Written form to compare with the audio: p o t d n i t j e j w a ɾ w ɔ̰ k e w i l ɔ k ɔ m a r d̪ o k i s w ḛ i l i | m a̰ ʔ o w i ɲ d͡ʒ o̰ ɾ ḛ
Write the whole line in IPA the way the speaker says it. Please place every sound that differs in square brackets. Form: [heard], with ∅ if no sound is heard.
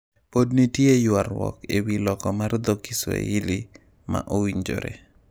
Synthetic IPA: p o [∅] d n i t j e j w a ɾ w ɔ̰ k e w i l ɔ k ɔ m a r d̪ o k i s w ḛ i l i | m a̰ ʔ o w i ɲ d͡ʒ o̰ ɾ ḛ

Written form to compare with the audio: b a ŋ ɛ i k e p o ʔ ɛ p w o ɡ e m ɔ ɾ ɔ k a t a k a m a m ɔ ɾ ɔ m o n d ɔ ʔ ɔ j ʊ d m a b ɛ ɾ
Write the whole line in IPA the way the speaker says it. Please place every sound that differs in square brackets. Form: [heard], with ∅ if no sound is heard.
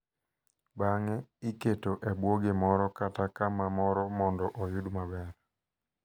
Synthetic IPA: b a ŋ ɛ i k e [t] o ʔ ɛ [b] w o ɡ e m ɔ ɾ ɔ k a t a k a m a m ɔ ɾ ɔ m [ɔ] n d ɔ ʔ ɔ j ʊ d m a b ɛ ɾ

